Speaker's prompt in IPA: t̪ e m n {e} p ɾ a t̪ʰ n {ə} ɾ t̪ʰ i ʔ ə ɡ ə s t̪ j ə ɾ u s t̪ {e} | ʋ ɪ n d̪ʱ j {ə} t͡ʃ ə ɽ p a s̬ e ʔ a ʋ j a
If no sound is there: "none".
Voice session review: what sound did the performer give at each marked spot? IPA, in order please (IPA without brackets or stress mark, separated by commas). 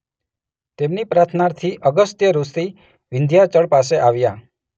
i, a, i, a